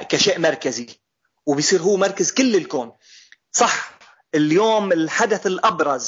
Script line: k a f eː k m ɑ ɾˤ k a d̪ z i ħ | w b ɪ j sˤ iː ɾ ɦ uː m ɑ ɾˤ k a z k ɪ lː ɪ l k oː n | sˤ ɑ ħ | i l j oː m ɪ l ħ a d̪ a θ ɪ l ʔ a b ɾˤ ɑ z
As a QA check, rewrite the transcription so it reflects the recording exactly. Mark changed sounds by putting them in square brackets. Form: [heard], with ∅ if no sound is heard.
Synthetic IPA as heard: k a [ʃ] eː [ʔ] m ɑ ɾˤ k a [∅] z i [∅] | w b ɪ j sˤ iː ɾ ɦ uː m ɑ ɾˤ k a z k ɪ lː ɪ l k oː n | sˤ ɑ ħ | [ɪ] l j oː m ɪ l ħ a d̪ a θ ɪ l ʔ [ɑ] b ɾˤ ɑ z